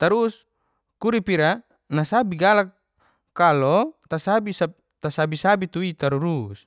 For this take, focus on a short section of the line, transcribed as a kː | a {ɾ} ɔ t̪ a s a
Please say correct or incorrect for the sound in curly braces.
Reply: incorrect